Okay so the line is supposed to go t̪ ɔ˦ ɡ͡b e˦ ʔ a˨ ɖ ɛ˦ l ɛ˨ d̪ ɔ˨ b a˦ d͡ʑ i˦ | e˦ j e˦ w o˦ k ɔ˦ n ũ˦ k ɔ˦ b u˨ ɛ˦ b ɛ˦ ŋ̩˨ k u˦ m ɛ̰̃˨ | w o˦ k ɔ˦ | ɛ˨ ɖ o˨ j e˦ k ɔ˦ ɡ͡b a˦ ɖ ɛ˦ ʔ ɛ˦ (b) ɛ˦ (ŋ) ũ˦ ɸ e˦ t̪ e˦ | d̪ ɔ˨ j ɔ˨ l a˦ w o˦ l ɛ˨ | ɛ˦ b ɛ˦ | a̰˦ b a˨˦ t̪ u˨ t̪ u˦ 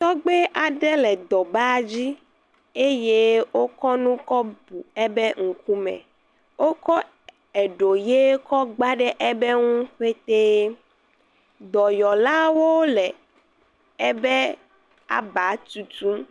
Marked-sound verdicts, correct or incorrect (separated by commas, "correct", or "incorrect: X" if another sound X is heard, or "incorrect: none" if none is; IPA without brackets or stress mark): correct, correct